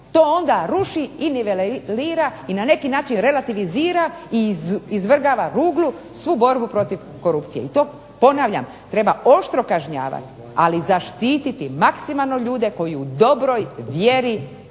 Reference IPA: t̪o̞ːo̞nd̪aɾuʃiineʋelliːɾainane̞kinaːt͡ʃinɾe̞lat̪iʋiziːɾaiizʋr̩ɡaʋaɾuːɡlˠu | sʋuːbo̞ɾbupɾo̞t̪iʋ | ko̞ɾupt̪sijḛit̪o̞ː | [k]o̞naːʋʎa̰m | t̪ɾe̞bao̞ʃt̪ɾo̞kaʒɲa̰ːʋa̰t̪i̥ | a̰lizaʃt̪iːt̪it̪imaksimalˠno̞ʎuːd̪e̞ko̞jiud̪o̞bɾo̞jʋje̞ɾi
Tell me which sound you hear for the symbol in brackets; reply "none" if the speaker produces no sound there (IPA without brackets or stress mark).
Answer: p